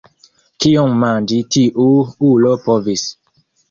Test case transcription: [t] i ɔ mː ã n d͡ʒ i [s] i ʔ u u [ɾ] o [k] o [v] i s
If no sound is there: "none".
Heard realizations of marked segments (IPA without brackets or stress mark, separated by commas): k, t, l, p, v